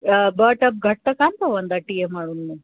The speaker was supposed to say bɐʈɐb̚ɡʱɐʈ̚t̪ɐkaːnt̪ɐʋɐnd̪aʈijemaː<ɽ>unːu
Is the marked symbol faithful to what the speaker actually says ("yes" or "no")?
yes